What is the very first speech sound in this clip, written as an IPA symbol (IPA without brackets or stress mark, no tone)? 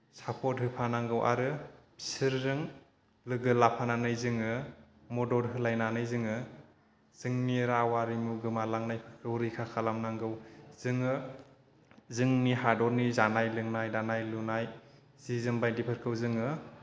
s